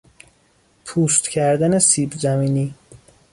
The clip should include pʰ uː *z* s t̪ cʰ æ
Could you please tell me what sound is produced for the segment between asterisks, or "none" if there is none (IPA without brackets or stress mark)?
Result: none